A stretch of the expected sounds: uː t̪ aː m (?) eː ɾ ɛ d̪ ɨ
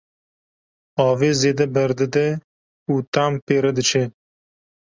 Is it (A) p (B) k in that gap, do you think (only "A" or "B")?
A